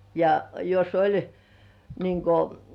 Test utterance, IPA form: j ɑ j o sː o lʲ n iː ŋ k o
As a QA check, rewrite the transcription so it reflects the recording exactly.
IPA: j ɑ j o s o lʲ n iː ŋ k o